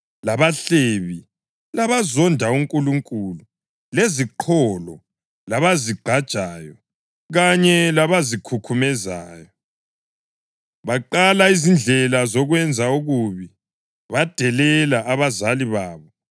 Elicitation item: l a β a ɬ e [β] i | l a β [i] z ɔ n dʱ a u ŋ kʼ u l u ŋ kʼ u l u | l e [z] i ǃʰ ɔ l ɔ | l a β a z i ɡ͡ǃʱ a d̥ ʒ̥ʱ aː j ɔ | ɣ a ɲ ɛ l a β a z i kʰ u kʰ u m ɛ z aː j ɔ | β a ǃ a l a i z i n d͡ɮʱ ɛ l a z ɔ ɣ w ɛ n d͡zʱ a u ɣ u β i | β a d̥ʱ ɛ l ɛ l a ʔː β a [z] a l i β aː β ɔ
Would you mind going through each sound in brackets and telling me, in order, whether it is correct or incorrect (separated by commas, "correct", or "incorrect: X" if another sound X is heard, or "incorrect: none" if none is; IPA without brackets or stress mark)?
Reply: correct, incorrect: a, correct, correct